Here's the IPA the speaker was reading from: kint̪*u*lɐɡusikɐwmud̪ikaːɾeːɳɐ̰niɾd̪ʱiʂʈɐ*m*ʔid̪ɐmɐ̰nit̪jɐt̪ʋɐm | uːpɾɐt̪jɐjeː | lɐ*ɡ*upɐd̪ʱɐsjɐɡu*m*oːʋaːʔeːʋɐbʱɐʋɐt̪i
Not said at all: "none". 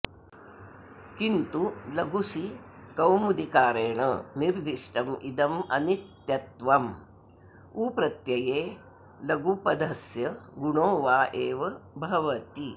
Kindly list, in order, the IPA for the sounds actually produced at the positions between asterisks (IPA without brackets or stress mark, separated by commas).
u, m, ɡ, ɳ